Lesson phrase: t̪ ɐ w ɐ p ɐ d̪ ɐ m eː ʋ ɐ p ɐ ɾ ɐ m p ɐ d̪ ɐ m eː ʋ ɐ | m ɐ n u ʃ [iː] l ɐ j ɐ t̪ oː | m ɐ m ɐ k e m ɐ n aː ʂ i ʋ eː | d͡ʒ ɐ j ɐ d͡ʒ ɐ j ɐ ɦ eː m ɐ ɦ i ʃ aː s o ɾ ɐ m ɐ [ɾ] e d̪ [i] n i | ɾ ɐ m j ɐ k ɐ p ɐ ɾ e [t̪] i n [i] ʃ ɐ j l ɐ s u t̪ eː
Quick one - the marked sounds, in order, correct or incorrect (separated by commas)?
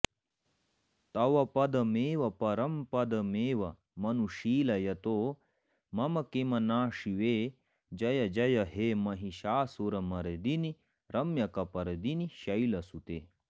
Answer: correct, correct, correct, incorrect, correct